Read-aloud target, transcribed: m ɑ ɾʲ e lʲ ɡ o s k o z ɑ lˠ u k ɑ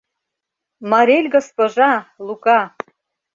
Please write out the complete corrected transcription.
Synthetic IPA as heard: m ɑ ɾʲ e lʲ ɡ o s p o ʒ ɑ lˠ u k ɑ